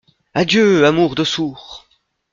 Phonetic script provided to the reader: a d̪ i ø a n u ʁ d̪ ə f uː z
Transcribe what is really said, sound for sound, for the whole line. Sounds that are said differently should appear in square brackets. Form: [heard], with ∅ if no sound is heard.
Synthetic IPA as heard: a d̪ [j] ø a [m] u ʁ d̪ ə [s] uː [ʁ]